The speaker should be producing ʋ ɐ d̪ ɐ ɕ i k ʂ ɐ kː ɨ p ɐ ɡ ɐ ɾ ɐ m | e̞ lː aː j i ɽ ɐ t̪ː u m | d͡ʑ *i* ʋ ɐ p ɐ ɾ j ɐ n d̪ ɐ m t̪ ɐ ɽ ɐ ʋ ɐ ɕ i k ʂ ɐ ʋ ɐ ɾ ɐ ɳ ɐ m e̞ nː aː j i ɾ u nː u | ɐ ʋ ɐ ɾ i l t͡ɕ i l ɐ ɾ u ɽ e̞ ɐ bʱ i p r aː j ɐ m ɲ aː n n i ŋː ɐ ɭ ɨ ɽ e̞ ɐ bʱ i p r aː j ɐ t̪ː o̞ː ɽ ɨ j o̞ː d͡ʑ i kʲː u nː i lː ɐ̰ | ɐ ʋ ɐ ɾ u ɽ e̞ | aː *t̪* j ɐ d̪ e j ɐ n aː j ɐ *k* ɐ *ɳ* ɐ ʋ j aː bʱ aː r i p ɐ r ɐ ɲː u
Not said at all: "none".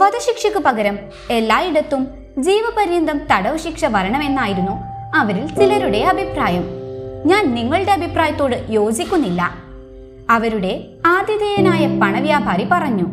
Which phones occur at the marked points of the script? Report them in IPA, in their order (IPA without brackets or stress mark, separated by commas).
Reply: iː, d̪, p, ɳ